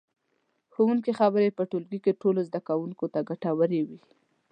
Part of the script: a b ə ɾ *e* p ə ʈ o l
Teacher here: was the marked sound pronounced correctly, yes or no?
yes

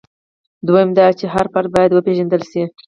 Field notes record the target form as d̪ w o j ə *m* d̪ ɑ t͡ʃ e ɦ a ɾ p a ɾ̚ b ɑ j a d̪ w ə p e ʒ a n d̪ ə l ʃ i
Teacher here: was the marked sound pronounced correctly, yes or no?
yes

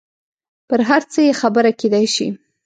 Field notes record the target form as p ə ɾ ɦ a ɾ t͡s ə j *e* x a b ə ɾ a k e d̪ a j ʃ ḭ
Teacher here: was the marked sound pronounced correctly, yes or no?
yes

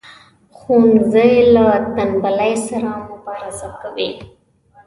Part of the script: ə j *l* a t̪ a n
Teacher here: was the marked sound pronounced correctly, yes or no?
yes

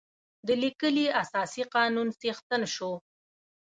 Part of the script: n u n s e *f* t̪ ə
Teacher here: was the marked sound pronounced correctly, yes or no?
no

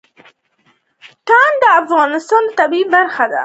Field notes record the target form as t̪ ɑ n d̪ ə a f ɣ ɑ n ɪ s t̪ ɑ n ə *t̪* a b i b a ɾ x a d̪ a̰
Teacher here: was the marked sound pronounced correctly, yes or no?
yes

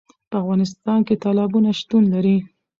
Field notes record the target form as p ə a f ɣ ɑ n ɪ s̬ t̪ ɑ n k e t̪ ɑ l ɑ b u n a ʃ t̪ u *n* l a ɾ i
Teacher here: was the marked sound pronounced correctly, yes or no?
yes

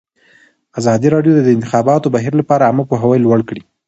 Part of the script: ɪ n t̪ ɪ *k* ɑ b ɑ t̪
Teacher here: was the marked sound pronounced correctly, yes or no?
no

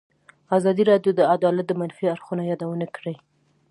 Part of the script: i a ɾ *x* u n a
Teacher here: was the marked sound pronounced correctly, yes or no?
yes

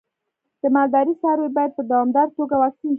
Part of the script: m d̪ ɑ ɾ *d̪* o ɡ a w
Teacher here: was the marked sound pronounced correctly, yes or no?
no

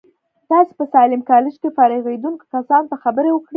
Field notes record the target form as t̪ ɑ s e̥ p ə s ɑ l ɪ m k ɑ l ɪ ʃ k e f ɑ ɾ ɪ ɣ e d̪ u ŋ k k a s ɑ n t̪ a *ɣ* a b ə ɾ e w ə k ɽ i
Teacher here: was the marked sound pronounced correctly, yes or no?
no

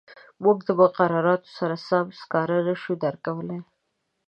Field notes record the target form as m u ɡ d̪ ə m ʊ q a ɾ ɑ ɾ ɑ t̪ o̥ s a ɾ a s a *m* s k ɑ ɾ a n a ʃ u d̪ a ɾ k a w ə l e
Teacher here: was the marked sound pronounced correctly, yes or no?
yes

